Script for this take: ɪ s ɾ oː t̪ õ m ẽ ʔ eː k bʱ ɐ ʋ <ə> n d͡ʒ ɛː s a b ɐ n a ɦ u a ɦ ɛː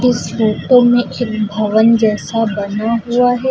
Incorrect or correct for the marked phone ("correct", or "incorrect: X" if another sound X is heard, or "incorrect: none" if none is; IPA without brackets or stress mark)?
correct